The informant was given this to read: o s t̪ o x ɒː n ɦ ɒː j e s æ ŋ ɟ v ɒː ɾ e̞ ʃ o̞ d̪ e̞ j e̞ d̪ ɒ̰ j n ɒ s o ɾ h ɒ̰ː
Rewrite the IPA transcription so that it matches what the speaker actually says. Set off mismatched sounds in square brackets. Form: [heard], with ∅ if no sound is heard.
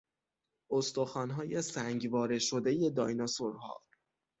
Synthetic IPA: o s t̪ o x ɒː n ɦ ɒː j e s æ ŋ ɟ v ɒː ɾ e̞ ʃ o̞ d̪ e̞ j e̞ d̪ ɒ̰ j n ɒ s o ɾ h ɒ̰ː